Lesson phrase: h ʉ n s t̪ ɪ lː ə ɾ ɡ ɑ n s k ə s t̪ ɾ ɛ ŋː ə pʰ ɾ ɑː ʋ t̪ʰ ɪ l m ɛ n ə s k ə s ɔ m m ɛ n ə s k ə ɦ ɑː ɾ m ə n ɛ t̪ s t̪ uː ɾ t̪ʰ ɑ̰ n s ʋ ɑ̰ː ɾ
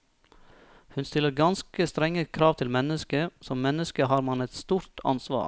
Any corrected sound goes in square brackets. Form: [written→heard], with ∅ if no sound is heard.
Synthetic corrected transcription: h ʉ n s t̪ ɪ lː ə ɾ ɡ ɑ n s k ə s t̪ ɾ ɛ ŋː ə [pʰ→kʰ] ɾ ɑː ʋ t̪ʰ ɪ l m ɛ n ə s k ə s ɔ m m ɛ n ə s k ə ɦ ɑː ɾ m [ə→ɑ] n ɛ t̪ s t̪ uː ɾ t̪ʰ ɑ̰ n s ʋ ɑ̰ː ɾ